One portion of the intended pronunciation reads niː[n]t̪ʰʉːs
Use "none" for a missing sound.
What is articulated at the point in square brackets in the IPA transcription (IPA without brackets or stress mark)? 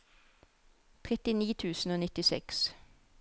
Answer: none